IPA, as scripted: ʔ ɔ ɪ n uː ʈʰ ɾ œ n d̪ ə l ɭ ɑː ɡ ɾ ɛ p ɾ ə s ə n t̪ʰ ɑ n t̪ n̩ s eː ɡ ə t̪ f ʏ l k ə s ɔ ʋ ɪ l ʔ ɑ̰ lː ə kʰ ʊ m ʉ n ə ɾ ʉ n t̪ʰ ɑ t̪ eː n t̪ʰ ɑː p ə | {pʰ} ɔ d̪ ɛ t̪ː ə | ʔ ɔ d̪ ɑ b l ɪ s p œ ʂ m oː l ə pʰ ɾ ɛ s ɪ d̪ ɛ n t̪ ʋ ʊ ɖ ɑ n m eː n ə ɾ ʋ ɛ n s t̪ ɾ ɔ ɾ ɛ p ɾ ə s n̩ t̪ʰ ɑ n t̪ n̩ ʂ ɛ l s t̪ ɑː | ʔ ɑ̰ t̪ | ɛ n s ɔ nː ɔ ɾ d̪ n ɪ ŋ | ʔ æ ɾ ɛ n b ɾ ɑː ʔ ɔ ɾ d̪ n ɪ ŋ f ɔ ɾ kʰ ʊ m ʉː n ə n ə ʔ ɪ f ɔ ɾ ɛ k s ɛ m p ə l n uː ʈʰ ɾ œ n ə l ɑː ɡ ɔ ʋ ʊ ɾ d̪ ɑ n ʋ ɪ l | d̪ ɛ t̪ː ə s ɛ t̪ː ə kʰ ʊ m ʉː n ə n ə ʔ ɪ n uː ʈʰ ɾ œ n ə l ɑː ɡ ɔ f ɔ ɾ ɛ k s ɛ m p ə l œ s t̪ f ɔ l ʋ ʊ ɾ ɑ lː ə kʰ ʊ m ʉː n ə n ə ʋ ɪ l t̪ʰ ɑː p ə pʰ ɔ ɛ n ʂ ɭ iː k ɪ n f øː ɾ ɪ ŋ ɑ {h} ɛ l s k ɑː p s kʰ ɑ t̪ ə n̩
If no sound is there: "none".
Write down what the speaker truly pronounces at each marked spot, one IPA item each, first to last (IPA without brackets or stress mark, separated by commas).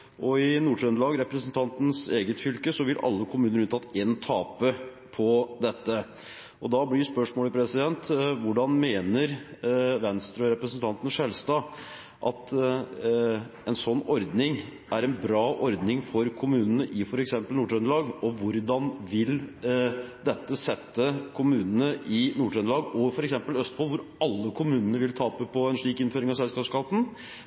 pʰ, s